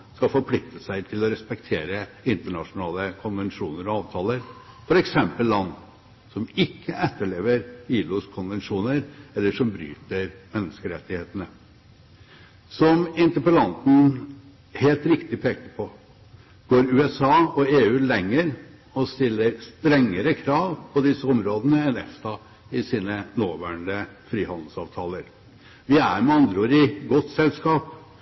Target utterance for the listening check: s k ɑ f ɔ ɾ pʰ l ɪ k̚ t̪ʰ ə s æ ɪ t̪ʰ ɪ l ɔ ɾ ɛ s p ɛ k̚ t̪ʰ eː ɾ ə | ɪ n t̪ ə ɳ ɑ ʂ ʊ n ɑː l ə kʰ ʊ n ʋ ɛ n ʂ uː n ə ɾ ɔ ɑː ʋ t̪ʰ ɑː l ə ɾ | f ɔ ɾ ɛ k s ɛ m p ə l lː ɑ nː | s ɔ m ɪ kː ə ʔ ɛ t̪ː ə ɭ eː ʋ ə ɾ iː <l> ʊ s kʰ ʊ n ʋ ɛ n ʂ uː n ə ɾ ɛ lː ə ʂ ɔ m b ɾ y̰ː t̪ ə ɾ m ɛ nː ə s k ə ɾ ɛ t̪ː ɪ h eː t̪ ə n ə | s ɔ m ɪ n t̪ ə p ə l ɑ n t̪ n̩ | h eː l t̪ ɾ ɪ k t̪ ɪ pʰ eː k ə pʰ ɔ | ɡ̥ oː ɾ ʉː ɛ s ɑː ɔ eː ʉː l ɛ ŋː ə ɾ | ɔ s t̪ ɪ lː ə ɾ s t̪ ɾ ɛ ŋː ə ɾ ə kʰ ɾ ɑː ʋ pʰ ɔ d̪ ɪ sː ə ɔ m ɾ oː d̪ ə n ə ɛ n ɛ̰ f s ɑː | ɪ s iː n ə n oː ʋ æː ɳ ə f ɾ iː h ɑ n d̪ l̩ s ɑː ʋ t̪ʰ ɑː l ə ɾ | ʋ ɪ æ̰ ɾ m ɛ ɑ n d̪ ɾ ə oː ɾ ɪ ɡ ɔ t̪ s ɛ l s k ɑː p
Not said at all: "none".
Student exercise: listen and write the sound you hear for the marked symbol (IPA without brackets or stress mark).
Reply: l